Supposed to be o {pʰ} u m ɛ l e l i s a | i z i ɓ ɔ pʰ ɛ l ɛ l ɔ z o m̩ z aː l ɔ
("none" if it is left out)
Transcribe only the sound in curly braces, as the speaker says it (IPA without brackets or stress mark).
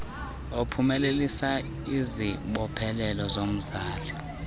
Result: pʰ